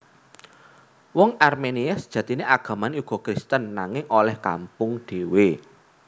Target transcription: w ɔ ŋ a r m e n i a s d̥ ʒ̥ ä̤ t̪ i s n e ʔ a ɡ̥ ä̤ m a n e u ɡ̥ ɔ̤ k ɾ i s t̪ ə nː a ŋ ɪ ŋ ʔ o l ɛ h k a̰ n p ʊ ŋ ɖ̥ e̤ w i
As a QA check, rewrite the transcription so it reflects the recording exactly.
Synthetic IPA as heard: w ɔ ŋ a r m e n i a s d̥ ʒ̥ ä̤ t̪ i n e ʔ a ɡ̥ ä̤ m a n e u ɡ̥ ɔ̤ k ɾ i s t̪ ə nː a ŋ ɪ ŋ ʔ o l ɛ h k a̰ m p ʊ ŋ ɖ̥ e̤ w e